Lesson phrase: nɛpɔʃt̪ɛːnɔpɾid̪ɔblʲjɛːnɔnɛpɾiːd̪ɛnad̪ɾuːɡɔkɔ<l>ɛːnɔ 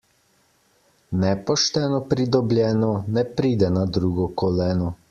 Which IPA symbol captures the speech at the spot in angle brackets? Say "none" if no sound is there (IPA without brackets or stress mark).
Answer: l